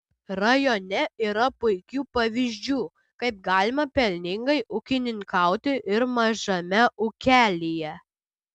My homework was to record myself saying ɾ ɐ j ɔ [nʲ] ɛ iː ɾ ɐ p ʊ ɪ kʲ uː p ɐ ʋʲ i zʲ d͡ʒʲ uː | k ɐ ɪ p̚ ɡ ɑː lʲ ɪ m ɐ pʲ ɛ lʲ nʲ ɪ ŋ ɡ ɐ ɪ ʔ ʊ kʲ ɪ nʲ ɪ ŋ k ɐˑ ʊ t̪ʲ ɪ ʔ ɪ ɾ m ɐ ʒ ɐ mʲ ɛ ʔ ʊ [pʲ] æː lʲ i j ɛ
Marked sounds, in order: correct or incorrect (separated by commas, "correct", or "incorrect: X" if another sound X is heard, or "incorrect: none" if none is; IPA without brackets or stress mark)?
correct, incorrect: kʲ